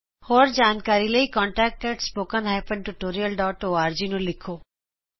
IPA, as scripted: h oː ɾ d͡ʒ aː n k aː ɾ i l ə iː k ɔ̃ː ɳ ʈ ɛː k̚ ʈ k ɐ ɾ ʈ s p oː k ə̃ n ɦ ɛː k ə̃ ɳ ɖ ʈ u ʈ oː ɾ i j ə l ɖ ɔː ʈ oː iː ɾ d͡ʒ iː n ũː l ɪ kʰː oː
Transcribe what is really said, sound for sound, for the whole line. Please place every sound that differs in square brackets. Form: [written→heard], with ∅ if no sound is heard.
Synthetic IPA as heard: h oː ɾ d͡ʒ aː n k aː ɾ i l ə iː k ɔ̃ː ɳ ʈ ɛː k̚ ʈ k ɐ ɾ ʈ s p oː k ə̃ n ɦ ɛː [k→p] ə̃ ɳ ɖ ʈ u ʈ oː ɾ i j ə l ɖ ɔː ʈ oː [iː→aː] ɾ d͡ʒ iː n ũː l ɪ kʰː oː